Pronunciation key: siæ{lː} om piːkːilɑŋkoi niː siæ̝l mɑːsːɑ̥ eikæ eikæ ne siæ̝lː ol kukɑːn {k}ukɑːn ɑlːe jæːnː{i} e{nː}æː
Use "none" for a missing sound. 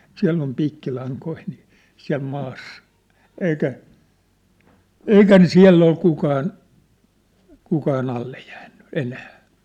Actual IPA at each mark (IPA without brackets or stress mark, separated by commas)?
lː, k, y, n